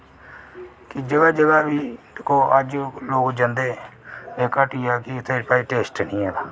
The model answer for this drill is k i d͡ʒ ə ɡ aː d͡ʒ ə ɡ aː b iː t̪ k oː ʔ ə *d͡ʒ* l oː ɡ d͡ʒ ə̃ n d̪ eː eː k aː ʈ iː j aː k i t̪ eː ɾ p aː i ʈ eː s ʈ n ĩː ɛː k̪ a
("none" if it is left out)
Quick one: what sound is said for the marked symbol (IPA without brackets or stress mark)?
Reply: d͡ʒ